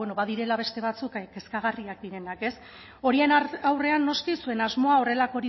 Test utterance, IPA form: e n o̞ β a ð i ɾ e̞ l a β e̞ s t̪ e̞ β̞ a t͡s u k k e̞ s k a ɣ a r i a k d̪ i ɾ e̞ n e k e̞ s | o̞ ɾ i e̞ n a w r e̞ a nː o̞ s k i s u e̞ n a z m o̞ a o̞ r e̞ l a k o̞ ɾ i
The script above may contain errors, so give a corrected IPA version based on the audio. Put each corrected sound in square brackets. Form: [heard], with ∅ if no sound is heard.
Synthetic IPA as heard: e n o̞ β a ð i ɾ e̞ l a β e̞ s t̪ e̞ β̞ a t͡s u k k e̞ s k a ɣ a r i a k d̪ i ɾ e̞ n [a] k e̞ s | o̞ ɾ i e̞ n a w r e̞ a nː o̞ s k i s u e̞ n a z m o̞ a o̞ r e̞ l a k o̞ ɾ i